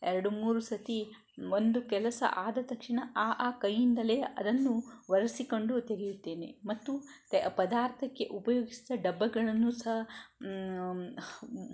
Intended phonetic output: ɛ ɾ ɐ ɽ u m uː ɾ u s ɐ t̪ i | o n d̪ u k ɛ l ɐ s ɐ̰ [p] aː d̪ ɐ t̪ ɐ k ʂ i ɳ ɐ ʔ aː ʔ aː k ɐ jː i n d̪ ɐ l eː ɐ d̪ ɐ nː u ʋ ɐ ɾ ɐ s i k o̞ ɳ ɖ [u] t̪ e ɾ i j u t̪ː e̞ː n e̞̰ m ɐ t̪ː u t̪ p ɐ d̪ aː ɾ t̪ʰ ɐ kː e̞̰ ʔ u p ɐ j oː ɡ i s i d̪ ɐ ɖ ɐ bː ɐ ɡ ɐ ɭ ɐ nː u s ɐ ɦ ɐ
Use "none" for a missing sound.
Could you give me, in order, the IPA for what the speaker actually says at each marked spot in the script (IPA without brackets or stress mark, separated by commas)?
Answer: ʔ, u